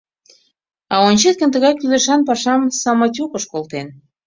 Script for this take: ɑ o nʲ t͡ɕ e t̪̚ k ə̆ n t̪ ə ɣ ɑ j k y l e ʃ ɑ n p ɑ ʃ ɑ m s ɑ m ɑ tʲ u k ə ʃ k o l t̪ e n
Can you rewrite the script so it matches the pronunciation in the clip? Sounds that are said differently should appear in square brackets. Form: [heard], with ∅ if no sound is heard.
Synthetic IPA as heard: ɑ o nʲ t͡ɕ e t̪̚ k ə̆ n t̪ ə ɣ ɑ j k y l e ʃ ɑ n p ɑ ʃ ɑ m s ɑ m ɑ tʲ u k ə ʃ k o l t̪ e n